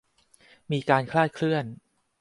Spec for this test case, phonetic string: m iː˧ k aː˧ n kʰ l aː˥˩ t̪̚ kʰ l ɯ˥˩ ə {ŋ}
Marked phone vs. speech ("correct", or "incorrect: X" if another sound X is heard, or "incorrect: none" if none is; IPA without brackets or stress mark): incorrect: n